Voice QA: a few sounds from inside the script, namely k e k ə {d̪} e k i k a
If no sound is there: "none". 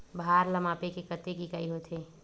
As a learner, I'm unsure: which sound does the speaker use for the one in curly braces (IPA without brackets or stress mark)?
t̪